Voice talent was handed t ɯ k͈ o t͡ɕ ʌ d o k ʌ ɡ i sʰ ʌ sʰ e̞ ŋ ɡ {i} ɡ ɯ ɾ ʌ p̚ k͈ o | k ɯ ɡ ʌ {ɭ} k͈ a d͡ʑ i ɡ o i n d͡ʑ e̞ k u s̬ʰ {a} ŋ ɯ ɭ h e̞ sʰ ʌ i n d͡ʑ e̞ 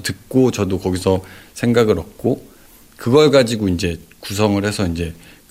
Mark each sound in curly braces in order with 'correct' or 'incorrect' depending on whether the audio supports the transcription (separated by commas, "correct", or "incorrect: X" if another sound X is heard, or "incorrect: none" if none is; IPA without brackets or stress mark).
incorrect: a, correct, incorrect: ʌ